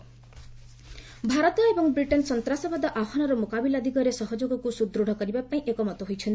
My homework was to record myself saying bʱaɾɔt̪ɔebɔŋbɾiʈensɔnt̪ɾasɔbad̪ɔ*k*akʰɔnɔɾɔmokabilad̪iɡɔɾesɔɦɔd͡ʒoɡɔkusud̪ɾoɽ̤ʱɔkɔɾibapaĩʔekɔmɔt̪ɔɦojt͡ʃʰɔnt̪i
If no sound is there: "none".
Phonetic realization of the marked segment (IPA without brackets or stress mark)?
ʔ